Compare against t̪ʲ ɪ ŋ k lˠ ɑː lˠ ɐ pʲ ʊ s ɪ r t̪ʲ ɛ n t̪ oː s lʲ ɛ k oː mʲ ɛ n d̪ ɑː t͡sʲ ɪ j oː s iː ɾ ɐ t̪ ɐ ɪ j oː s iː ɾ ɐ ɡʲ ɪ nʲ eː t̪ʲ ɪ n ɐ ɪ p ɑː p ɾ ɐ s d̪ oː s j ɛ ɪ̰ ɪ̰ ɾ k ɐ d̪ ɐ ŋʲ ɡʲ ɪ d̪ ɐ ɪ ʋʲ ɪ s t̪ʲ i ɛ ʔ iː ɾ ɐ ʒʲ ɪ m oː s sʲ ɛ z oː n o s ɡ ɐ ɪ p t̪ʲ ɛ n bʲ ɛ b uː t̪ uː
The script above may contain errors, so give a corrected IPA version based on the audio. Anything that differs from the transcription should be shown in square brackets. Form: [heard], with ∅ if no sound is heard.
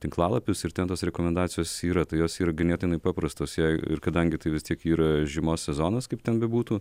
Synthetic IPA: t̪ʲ ɪ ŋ k lˠ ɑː lˠ ɐ pʲ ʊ s ɪ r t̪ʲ ɛ n t̪ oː s [ɾʲ] ɛ k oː mʲ ɛ n d̪ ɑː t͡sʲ ɪ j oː s iː ɾ ɐ t̪ ɐ ɪ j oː s iː ɾ ɐ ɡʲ ɪ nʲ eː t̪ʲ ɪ n ɐ ɪ p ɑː p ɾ ɐ s [t̪] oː s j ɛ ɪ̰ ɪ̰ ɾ k ɐ d̪ ɐ ŋʲ ɡʲ ɪ [t̪] ɐ ɪ ʋʲ ɪ s t̪ʲ i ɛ [k] iː ɾ ɐ ʒʲ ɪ m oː s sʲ ɛ z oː n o s [k] ɐ ɪ p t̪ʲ ɛ n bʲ ɛ b uː t̪ uː